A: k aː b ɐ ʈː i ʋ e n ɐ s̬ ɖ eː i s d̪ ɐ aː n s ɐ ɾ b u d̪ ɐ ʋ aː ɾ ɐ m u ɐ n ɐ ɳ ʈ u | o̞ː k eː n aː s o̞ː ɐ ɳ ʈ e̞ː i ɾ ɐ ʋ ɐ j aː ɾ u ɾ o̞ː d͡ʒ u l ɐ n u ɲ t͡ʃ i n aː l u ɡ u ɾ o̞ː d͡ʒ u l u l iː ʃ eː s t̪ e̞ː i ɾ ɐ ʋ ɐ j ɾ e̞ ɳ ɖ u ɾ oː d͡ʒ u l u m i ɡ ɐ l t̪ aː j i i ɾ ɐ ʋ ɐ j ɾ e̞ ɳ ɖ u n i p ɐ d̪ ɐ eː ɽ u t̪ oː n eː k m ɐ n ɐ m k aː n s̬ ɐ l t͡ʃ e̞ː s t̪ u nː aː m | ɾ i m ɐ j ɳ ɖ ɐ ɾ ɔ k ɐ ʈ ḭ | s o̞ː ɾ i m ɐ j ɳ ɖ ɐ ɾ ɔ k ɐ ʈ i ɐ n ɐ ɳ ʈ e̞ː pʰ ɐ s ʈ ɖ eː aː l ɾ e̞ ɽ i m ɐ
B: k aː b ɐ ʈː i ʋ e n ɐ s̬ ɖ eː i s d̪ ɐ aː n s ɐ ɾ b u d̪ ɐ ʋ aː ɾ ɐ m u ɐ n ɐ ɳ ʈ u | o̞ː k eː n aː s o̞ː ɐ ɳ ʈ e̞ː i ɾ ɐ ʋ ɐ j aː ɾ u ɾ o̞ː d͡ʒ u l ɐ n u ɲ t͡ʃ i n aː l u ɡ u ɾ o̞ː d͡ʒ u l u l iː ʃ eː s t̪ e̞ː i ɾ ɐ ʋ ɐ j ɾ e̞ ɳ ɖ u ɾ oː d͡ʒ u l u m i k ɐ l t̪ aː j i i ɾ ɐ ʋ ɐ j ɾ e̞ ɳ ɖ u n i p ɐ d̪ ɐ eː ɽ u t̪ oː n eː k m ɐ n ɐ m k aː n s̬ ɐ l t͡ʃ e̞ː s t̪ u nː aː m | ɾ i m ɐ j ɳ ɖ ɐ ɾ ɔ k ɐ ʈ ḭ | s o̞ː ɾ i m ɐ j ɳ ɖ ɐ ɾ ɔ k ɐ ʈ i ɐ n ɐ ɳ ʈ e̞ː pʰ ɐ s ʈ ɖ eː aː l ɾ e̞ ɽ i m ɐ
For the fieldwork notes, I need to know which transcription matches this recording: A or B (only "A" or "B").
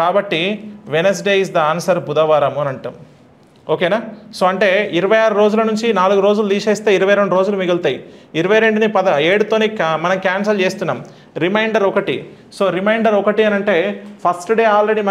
A